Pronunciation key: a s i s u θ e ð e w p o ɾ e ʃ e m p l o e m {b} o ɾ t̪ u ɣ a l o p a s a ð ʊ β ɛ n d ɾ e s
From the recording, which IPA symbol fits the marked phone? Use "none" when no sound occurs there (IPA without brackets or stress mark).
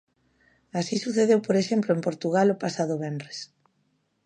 p